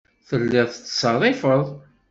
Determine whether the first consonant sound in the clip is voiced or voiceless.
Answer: voiceless